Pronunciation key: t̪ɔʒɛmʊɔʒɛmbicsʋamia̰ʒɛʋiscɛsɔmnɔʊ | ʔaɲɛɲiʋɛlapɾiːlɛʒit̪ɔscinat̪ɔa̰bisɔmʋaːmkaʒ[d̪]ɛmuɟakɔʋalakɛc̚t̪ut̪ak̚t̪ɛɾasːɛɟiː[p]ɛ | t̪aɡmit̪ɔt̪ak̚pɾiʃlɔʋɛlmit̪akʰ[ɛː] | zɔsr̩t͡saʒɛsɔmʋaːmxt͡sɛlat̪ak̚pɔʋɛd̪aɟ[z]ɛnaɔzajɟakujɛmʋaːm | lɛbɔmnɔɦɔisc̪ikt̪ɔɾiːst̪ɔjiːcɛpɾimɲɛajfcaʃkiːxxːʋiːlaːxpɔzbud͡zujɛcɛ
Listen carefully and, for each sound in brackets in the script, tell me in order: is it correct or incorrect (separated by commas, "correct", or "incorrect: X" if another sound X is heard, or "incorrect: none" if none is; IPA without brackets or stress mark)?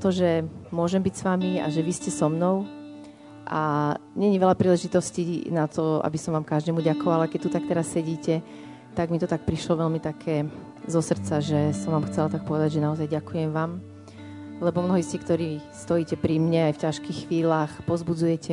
correct, incorrect: c, correct, incorrect: ʒ